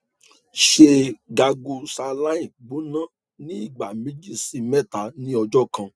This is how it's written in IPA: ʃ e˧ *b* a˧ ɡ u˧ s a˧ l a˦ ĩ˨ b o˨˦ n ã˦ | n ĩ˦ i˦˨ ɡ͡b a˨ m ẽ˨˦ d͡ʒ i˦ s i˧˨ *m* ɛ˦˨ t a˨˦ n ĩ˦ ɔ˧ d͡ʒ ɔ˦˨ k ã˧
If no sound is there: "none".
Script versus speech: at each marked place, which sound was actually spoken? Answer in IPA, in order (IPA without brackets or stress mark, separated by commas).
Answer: ɡ, m